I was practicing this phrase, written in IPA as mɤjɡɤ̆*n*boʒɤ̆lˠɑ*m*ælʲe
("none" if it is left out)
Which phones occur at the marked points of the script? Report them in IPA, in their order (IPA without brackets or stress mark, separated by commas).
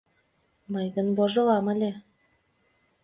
n, m